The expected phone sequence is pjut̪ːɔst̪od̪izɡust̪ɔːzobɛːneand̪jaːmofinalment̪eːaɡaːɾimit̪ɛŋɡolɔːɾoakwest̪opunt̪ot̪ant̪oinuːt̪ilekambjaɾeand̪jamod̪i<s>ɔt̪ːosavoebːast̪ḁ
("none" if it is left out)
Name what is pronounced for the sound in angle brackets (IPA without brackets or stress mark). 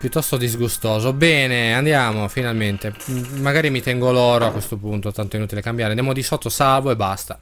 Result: s